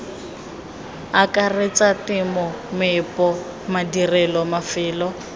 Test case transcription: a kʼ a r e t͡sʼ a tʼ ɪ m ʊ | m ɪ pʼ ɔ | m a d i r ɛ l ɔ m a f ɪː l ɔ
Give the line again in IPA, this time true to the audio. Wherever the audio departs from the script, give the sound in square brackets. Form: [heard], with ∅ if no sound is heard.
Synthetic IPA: a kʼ a r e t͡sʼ a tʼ ɪ m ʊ | m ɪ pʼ ɔ | m a d i r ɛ l ɔ m a f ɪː l ɔ